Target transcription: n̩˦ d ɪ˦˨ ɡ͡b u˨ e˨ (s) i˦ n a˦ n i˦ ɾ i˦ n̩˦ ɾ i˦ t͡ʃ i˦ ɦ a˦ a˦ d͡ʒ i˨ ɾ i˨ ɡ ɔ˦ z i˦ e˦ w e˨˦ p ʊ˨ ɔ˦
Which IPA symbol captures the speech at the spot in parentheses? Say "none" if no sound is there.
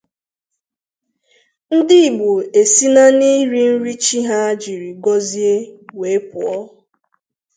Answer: s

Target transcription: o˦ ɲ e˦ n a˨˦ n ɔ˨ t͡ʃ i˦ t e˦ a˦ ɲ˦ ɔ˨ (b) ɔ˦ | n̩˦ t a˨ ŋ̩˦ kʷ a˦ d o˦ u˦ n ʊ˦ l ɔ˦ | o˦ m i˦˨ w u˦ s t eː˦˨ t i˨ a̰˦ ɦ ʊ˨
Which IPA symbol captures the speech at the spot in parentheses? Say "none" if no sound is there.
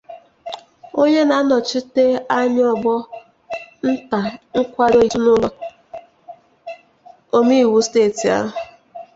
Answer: b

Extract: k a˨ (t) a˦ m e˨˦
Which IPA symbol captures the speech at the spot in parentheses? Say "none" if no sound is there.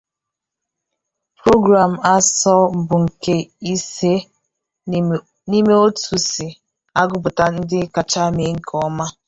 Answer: t͡ʃ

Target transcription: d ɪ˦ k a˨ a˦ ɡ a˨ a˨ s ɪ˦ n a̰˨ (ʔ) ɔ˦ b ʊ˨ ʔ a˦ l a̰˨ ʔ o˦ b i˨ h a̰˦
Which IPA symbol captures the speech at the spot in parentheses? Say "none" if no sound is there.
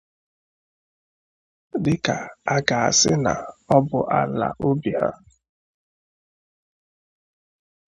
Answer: none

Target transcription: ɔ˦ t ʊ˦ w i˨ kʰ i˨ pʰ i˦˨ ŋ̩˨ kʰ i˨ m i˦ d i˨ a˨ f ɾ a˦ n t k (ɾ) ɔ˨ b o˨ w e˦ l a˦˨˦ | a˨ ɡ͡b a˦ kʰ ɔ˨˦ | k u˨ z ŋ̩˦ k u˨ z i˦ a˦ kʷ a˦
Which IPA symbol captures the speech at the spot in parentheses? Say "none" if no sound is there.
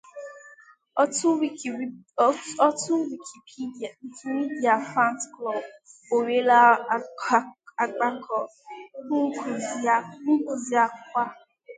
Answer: l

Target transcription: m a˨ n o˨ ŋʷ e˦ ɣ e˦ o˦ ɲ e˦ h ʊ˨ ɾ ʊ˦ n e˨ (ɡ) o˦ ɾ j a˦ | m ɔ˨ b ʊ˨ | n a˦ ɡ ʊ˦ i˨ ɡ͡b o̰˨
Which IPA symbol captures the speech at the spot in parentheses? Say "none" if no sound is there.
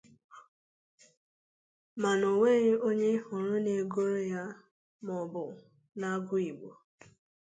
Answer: ɡ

